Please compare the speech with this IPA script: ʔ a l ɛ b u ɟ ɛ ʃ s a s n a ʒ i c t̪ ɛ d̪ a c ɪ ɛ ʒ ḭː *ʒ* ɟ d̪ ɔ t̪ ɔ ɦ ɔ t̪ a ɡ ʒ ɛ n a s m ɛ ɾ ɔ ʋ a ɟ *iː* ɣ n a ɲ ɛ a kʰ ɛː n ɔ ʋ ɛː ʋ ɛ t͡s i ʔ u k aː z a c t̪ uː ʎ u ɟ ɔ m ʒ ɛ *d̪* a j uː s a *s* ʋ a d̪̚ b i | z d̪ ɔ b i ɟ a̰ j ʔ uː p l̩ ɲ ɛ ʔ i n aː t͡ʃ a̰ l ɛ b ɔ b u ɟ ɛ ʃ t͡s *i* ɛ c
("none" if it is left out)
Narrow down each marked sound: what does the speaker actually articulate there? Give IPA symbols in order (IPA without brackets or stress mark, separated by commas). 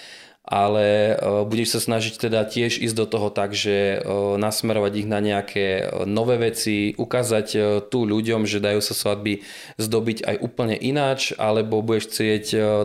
z, i, d̪, s, ɪ